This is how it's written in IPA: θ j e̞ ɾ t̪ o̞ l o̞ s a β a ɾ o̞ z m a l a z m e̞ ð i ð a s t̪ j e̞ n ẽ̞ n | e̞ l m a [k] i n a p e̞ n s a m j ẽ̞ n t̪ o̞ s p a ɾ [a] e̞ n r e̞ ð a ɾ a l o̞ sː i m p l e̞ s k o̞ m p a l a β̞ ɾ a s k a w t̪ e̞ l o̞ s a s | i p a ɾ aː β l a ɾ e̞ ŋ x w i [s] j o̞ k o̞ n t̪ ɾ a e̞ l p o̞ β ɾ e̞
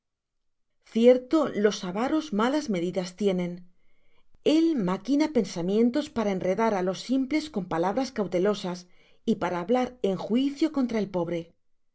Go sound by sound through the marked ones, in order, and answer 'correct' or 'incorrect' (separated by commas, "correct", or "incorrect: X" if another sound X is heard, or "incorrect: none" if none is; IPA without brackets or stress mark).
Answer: correct, correct, incorrect: θ